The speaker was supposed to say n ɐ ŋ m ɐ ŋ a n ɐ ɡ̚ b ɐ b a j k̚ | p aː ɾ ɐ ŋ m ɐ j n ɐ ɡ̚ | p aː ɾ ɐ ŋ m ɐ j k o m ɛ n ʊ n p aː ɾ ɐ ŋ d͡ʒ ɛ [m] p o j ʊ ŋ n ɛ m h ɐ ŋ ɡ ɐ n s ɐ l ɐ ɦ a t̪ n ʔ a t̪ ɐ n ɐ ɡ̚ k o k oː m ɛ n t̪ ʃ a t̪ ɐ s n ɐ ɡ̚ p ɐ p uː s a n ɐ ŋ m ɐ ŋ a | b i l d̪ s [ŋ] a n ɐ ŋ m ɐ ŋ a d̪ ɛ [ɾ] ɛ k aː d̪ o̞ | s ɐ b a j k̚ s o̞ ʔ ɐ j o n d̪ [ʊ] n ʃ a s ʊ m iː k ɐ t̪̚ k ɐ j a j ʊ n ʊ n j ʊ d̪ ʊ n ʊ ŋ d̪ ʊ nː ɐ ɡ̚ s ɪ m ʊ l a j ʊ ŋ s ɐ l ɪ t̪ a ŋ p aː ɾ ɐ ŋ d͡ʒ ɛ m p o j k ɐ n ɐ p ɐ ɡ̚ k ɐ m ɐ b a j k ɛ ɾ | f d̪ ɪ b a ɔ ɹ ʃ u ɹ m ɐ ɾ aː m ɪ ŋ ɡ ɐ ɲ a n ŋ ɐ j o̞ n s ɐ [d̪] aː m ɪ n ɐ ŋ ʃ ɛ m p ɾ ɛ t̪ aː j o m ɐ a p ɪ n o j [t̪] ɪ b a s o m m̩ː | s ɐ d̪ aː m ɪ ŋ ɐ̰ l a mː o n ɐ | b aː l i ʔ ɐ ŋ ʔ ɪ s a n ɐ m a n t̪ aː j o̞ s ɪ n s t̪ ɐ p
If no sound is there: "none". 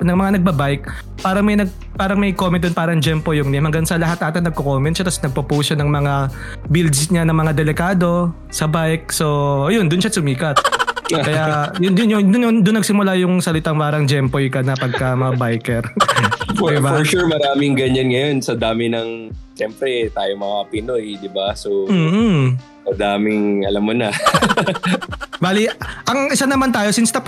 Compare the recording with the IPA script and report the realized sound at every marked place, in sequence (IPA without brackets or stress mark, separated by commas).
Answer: m, ɲ, l, ʊ, d̪, d̪